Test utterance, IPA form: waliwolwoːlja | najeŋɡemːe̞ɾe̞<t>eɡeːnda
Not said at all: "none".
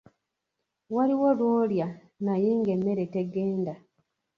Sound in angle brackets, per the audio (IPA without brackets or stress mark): t